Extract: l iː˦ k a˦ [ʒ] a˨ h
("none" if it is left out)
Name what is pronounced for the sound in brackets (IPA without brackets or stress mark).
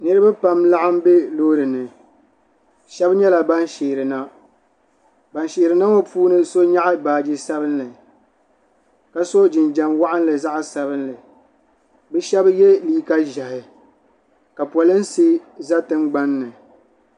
ʒ